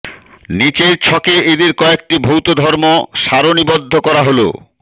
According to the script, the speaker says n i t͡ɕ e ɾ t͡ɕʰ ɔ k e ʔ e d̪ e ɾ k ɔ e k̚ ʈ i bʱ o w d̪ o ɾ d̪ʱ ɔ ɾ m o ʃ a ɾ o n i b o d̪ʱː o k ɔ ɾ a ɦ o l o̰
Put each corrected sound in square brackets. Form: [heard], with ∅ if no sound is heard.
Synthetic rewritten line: n i t͡ɕ e ɾ t͡ɕʰ ɔ k e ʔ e d̪ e ɾ k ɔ e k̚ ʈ i bʱ o w [t̪] o [∅] d̪ʱ ɔ ɾ m o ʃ a ɾ o n i b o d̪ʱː o k ɔ ɾ a ɦ o l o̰

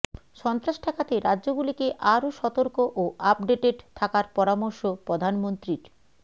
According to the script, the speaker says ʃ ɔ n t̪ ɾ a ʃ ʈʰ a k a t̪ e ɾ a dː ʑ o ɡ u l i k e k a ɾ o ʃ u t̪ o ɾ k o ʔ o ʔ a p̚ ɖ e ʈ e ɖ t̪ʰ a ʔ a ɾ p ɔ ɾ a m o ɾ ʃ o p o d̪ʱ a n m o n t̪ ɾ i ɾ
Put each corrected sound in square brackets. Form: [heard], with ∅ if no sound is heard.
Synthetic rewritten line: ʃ ɔ n t̪ ɾ a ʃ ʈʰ a k a t̪ e ɾ a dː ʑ o ɡ u l i k e [ʔ] a ɾ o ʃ [ɔ] t̪ o ɾ k o ʔ o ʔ a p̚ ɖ e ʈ e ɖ t̪ʰ a [k] a ɾ p ɔ ɾ a m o ɾ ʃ o p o d̪ʱ a n m o n t̪ ɾ i ɾ

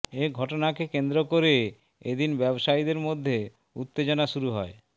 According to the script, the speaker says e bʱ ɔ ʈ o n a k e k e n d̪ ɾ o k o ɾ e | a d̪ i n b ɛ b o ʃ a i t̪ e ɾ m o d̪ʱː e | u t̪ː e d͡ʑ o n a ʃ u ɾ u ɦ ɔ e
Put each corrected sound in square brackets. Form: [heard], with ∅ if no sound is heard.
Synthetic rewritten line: e [ɡʱ] ɔ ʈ o n a k e k e n d̪ ɾ o k o ɾ e | [e] d̪ i n b ɛ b o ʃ a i [d̪] e ɾ m o d̪ʱː e | u t̪ː e d͡ʑ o n a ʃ u ɾ u ɦ ɔ e

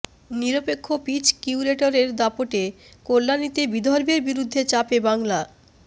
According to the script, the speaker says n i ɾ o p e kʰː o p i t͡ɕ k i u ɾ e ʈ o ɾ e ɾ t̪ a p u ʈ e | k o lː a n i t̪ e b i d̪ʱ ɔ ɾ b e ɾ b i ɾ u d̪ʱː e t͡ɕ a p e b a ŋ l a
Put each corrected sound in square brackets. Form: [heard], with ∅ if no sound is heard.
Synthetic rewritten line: n i ɾ o p e kʰː o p i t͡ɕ k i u ɾ e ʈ o ɾ e ɾ [d̪] a p [o] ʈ e | k o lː a n i t̪ e b i d̪ʱ ɔ ɾ b e ɾ b i ɾ u d̪ʱː e t͡ɕ a p e b a ŋ l a

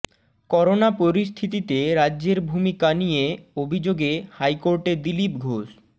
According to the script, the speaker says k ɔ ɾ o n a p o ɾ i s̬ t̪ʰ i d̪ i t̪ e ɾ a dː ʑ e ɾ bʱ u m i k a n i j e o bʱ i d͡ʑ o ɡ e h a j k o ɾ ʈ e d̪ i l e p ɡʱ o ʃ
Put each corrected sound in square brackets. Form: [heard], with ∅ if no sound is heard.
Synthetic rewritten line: k ɔ ɾ o n a p o ɾ i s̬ t̪ʰ i [t̪] i t̪ e ɾ a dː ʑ e ɾ bʱ u m i k a n i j e o bʱ i d͡ʑ o ɡ e h a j k o ɾ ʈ e d̪ i l [i] p ɡʱ o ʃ

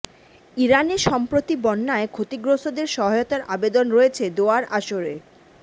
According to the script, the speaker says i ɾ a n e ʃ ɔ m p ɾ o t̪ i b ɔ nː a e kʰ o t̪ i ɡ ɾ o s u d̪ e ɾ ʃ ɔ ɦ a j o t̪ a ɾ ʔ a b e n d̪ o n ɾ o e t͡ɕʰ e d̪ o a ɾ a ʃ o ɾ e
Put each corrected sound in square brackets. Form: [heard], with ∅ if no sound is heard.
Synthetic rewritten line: i ɾ a n e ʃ ɔ m p ɾ o t̪ i b ɔ nː a e kʰ o t̪ i ɡ ɾ o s [o] d̪ e ɾ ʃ ɔ ɦ a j o t̪ a ɾ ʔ a b e [∅] d̪ o n ɾ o e t͡ɕʰ e d̪ o a ɾ a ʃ o ɾ e

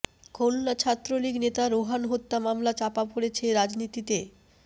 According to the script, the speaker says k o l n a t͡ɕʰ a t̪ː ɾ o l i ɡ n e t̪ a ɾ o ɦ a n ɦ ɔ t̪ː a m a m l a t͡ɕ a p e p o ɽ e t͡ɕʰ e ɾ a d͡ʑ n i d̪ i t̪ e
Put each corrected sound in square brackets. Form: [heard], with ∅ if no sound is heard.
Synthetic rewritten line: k o l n a t͡ɕʰ a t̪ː ɾ o l i ɡ n e t̪ a ɾ o ɦ a n ɦ [o] t̪ː a m a m l a t͡ɕ a p [a] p o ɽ e t͡ɕʰ e ɾ a d͡ʑ n i [t̪] i t̪ e

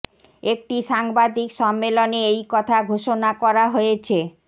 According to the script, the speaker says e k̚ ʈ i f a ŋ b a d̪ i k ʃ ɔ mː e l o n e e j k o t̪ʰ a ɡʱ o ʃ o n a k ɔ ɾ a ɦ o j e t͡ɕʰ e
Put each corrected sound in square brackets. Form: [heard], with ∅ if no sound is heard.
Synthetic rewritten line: e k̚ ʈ i [ʃ] a ŋ b a d̪ i k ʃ ɔ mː e l o n e e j k [ɔ] t̪ʰ a ɡʱ o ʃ o n a k ɔ ɾ a ɦ o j e t͡ɕʰ e

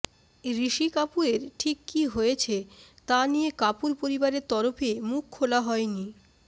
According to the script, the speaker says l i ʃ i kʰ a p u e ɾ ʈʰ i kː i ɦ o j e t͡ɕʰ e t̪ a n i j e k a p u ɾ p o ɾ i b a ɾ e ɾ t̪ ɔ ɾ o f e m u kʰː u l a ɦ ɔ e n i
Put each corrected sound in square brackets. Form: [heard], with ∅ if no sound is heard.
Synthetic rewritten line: [ɾ] i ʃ i [k] a p u e ɾ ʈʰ i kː i ɦ o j e t͡ɕʰ e t̪ a n i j e k a p u ɾ p o ɾ i b a ɾ e ɾ t̪ ɔ ɾ o f e m u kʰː [o] l a ɦ ɔ e n i

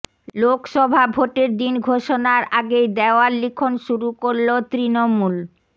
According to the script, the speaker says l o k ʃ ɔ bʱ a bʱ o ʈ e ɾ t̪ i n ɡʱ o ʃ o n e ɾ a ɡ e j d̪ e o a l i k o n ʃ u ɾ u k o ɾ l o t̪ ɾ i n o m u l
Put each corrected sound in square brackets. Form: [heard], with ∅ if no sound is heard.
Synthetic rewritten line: l o k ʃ ɔ bʱ a bʱ o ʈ e ɾ [d̪] i n ɡʱ o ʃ o n [a] ɾ a ɡ e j d̪ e o a l i [kʰ] o n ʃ u ɾ u k o ɾ l o t̪ ɾ i n o m u l

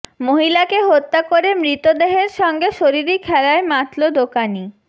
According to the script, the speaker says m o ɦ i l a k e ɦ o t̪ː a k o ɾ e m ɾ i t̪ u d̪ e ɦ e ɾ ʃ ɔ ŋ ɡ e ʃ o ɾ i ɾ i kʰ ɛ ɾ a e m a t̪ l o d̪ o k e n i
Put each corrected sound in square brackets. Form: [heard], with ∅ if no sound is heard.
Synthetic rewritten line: m o ɦ i l a k e ɦ o t̪ː a k o ɾ e m ɾ i t̪ [o] d̪ e ɦ e ɾ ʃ ɔ ŋ ɡ e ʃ o ɾ i ɾ i kʰ ɛ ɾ a e m a t̪ l o d̪ o k [a] n i

